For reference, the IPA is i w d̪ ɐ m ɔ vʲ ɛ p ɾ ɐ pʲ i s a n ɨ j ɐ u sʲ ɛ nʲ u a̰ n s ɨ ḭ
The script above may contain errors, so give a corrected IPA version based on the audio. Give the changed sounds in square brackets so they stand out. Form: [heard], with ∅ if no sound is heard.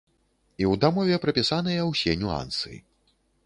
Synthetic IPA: i w d̪ [a] m ɔ vʲ ɛ p ɾ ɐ pʲ i s a n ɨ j ɐ [w] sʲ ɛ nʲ u a̰ n s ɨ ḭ